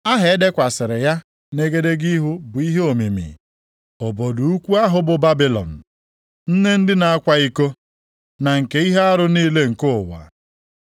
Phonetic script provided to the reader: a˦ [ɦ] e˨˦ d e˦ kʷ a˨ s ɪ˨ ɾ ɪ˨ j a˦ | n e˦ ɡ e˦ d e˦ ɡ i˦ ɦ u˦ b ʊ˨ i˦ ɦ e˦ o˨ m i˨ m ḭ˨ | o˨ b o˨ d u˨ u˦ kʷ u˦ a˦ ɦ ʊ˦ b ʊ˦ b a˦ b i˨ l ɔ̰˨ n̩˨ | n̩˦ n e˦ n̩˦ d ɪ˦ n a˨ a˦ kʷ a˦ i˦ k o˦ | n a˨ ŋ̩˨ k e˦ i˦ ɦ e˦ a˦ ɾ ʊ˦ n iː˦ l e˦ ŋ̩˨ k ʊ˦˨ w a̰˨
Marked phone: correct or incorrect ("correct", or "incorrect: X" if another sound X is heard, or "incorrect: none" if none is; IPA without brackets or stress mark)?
correct